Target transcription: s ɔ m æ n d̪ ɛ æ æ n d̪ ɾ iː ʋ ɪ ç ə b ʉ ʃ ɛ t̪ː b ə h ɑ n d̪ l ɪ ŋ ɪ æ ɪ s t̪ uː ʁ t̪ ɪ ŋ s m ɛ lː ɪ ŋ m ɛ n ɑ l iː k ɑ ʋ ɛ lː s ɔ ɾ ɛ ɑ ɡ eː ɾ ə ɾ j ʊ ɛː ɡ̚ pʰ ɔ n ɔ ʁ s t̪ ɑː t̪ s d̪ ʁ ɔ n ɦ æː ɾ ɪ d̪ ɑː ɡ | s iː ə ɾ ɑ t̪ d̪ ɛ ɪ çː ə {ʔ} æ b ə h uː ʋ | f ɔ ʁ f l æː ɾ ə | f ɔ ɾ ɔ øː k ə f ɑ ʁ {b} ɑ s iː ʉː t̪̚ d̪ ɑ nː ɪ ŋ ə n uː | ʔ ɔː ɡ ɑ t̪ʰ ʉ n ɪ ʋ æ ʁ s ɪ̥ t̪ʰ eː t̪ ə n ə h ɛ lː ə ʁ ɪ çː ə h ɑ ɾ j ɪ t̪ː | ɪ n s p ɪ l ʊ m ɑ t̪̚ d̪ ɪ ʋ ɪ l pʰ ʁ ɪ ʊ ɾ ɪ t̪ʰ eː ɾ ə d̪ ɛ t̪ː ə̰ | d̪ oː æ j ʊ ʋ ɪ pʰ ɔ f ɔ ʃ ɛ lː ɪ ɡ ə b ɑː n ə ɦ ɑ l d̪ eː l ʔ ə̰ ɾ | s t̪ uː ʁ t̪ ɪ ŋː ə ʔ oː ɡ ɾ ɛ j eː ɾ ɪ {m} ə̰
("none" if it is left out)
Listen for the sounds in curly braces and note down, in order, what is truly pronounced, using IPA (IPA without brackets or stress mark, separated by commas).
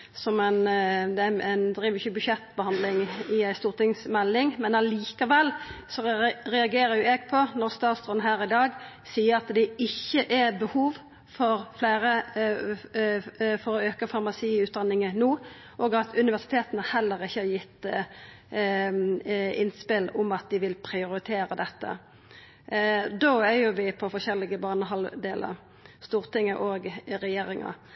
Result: ʔ, m, ŋ